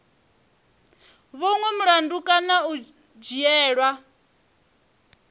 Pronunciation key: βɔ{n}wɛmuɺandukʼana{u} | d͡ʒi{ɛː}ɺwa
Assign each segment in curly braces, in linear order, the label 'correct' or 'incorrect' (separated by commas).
incorrect, correct, correct